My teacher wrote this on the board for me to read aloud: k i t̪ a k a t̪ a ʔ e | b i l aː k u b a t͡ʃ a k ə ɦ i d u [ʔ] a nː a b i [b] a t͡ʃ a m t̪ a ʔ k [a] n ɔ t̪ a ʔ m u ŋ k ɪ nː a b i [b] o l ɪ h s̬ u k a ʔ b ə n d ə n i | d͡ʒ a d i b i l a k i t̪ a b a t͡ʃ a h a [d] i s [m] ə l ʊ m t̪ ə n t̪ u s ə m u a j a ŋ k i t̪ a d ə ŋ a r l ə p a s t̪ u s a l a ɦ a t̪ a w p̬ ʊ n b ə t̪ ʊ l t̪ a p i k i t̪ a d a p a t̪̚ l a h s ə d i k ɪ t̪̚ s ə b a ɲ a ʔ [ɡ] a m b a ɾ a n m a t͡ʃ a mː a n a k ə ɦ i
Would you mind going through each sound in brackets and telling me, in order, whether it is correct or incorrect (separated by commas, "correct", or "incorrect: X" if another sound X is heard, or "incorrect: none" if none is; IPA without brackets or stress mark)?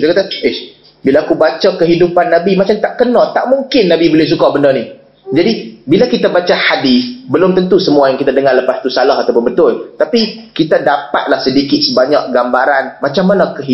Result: incorrect: p, incorrect: m, incorrect: ə, correct, correct, incorrect: b, correct